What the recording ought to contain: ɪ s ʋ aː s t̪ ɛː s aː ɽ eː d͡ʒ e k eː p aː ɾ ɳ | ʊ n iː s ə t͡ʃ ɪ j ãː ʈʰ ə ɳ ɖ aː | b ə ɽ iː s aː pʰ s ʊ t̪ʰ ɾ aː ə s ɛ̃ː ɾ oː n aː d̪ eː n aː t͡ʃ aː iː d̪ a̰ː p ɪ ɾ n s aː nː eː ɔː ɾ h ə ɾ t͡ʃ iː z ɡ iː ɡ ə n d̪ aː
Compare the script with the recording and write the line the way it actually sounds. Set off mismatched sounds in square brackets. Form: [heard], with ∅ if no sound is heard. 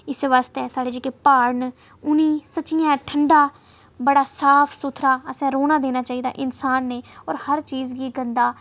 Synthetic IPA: ɪ s ʋ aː s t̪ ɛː s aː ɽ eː d͡ʒ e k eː p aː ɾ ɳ | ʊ n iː s ə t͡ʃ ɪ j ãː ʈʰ ə ɳ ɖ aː | b ə ɽ [aː] s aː pʰ s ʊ t̪ʰ ɾ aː ə s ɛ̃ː ɾ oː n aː d̪ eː n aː t͡ʃ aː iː d̪ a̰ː [ʔ] ɪ [∅] n s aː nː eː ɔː ɾ h ə ɾ t͡ʃ iː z ɡ iː ɡ ə n d̪ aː